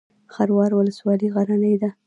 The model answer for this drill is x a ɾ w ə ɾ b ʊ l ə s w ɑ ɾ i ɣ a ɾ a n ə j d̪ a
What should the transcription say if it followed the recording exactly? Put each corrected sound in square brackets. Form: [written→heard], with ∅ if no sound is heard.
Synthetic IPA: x a ɾ w [ə→ɑ] ɾ [b→w] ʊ l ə s w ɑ [ɾ→l] i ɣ a ɾ a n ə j d̪ a

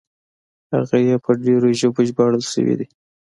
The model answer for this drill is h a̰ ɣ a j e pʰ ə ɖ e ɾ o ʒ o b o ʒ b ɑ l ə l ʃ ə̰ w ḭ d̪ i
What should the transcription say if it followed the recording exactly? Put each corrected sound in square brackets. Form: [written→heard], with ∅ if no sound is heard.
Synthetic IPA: h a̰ ɣ a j e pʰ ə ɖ e ɾ o ʒ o b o ʒ b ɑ [l→ɽ] ə l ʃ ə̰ w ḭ d̪ i

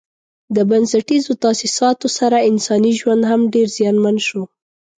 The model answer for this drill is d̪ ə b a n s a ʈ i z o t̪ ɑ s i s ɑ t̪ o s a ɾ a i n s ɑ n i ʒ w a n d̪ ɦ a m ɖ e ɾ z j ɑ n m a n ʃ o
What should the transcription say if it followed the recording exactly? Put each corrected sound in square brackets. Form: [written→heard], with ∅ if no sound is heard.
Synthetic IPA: d̪ ə b a n s a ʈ i z o t̪ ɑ s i s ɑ t̪ o s a ɾ a [i→ɪ] n s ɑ n i ʒ w a n d̪ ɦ a m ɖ e ɾ z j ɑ n m a n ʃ o

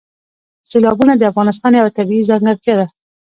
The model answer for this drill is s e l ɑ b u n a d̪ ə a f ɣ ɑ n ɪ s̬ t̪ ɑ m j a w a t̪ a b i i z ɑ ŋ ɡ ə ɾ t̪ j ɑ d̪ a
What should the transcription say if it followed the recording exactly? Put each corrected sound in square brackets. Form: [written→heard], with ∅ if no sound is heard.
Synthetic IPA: s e l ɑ b u n a d̪ ə a f ɣ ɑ n ɪ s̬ t̪ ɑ [m→n] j a w a t̪ a b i i z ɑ ŋ ɡ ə ɾ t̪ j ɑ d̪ a

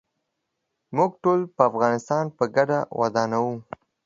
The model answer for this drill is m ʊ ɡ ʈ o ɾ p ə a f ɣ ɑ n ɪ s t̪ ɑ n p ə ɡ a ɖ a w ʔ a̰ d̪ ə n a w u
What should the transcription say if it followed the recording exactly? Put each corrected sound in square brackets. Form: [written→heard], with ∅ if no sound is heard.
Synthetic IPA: m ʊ ɡ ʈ o [ɾ→l] p ə a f ɣ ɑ n ɪ s t̪ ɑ n p ə ɡ a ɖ a w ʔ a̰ d̪ [ə→ɑ] n a w u

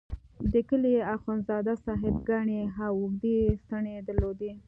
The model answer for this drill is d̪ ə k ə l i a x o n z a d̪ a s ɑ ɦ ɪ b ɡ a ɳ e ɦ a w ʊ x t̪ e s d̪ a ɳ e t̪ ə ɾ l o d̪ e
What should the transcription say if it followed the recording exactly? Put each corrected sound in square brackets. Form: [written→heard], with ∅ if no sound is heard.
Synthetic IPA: d̪ ə k ə l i a x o n z [a→ɑ] d̪ a s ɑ ɦ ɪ b ɡ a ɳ e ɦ a w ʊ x [t̪→d̪] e s [d̪→t̪] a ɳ e [t̪→d̪] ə ɾ l o d̪ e

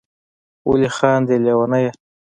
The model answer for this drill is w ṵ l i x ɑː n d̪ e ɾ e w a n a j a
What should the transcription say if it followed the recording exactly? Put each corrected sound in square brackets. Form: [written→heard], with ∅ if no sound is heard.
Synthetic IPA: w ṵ l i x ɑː n d̪ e [ɾ→l] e w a n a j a

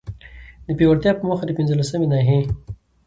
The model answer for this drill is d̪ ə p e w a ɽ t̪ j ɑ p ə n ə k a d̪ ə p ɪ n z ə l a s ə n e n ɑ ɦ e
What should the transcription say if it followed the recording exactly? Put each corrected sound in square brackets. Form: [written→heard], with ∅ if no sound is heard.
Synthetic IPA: d̪ ə p e w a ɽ t̪ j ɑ p ə [n→m] ə [k→x] a d̪ ə p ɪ n z ə l a s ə [n→m] e n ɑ ɦ e

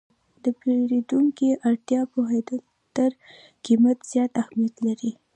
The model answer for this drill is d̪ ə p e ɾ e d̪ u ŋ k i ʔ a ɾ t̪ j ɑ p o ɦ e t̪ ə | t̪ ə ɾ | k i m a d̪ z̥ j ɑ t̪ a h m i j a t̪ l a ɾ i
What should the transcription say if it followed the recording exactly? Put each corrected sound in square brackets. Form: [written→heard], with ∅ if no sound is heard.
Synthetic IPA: d̪ ə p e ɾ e d̪ u ŋ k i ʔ a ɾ t̪ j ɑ p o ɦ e [t̪→d̪] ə | t̪ ə ɾ | k i m a [d̪→t̪] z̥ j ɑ t̪ a h m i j a t̪ l a ɾ i

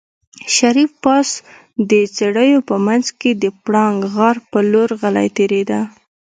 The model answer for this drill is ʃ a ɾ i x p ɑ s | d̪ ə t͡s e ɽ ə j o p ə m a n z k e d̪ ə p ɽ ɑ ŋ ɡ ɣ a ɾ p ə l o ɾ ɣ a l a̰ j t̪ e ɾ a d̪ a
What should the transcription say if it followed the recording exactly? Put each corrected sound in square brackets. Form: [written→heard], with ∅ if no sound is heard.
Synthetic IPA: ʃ a ɾ i [x→f] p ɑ s | d̪ ə t͡s e ɽ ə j o p ə m a n z k e d̪ ə p ɽ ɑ ŋ ɡ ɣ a ɾ p ə l o ɾ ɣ a l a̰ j t̪ e ɾ [a→e] d̪ a

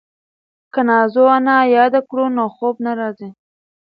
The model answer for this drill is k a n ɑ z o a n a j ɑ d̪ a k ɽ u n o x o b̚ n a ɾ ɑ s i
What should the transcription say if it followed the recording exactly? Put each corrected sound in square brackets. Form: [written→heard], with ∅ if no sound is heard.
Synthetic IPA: k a n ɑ z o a n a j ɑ d̪ a k ɽ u n o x o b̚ n a ɾ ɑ [s→z] i

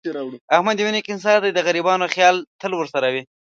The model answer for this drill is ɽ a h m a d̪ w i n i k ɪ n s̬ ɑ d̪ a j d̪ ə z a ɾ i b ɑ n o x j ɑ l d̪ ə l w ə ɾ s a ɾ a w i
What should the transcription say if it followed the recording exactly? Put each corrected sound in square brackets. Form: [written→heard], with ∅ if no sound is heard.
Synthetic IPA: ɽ a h m a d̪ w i n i k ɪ n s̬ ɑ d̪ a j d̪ ə [z→ɣ] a ɾ i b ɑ n o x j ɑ l [d̪→t̪] ə l w ə ɾ s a ɾ a w i

